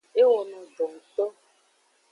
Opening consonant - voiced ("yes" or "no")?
yes